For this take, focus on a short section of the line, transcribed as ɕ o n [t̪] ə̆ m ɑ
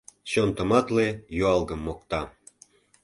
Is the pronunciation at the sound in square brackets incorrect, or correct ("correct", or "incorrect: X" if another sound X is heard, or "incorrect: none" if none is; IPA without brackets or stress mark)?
correct